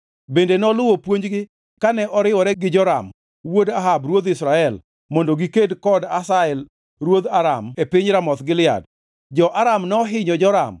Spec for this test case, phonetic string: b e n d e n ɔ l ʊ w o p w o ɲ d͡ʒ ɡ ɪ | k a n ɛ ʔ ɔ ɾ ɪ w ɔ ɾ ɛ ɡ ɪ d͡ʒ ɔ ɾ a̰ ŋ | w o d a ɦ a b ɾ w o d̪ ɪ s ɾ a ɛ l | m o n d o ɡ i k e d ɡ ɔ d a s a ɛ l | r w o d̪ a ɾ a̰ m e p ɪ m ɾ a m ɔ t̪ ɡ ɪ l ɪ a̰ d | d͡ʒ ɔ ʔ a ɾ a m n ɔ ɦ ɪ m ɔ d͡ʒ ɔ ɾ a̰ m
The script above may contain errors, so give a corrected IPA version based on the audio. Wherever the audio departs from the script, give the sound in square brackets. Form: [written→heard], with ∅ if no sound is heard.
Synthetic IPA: b e n d e n ɔ l ʊ w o p w o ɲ d͡ʒ ɡ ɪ | k a n ɛ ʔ ɔ ɾ ɪ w ɔ ɾ ɛ ɡ ɪ d͡ʒ ɔ ɾ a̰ [ŋ→m] | w o d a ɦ a b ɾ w o d̪ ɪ s ɾ a ɛ l | m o n d o ɡ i k e d [ɡ→k] ɔ d a s a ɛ l | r w o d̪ a ɾ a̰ m e p ɪ [m→ɲ] ɾ a m ɔ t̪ ɡ ɪ l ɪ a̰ d | d͡ʒ ɔ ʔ a ɾ a m n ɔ ɦ ɪ [m→ɲ] ɔ d͡ʒ ɔ ɾ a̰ m